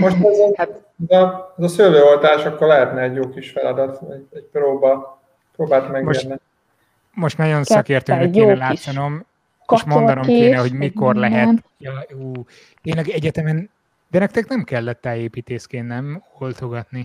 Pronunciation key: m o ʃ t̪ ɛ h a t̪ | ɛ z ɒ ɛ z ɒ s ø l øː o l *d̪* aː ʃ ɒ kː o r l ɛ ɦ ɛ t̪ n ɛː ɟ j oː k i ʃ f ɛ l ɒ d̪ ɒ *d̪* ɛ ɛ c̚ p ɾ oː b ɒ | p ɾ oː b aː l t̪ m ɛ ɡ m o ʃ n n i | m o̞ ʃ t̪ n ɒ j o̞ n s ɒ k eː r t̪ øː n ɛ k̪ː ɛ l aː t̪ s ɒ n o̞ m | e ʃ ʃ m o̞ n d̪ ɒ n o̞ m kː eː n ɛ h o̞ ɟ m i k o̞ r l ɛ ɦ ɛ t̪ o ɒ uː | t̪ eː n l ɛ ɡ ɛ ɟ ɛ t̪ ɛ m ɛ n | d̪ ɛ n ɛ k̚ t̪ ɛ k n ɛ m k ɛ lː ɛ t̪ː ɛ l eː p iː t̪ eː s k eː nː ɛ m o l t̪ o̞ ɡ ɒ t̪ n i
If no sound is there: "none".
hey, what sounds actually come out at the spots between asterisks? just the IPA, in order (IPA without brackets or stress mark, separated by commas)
t̪, t̪